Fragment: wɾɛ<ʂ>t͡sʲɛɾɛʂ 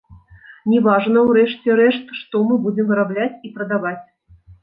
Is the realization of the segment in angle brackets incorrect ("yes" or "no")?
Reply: no